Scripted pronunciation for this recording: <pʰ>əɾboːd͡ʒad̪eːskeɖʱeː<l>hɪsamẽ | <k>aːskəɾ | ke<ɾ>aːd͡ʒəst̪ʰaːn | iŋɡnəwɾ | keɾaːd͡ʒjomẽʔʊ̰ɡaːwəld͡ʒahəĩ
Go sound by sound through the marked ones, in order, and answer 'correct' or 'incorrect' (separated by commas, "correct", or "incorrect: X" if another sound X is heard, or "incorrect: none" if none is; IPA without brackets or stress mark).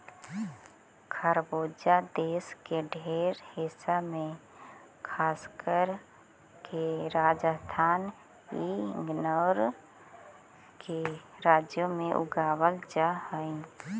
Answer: incorrect: kʰ, incorrect: ɾ, incorrect: kʰ, correct